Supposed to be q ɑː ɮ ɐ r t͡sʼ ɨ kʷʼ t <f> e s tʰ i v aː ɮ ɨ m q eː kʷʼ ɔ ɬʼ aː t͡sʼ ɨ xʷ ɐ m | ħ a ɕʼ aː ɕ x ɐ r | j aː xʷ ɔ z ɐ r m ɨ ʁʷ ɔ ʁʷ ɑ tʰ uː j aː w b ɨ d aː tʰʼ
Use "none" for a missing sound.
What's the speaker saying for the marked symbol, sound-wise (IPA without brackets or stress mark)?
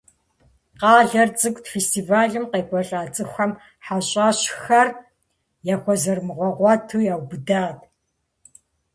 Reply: f